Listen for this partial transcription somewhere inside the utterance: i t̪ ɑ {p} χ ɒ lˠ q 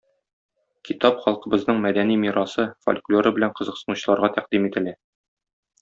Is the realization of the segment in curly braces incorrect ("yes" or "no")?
no